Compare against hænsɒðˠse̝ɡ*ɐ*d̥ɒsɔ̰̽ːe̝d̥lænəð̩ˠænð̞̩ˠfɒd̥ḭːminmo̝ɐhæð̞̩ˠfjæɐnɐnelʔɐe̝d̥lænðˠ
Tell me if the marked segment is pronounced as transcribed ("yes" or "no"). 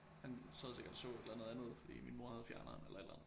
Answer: yes